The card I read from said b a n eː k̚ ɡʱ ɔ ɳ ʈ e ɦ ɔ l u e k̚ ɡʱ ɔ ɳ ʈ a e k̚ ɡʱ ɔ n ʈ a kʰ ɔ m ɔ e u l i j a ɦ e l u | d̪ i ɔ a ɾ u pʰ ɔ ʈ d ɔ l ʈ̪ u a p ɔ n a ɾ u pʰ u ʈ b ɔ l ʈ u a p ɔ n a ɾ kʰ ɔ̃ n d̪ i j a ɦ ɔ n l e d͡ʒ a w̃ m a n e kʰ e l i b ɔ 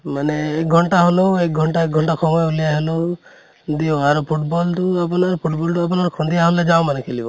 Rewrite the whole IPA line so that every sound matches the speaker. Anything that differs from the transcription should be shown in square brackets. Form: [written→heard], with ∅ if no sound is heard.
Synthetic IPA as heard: [b→m] a n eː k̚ ɡʱ ɔ ɳ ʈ [e→a] ɦ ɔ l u e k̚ ɡʱ ɔ ɳ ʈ a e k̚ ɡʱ ɔ [n→ɳ] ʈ a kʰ ɔ m ɔ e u l i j a ɦ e l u | d̪ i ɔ a ɾ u pʰ [ɔ→u] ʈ [d→b] ɔ l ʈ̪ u a p ɔ n a ɾ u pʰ u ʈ b ɔ l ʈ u a p ɔ n a ɾ kʰ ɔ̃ n d̪ i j a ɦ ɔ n l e d͡ʒ a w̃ m a n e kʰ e l i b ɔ